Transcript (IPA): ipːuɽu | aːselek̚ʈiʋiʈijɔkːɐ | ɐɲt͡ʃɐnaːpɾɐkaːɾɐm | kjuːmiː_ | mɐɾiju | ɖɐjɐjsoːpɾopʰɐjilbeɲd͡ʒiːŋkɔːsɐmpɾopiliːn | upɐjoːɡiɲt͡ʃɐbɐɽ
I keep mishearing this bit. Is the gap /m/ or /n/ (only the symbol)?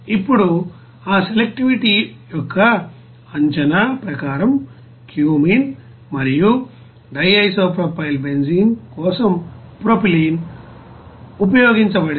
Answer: n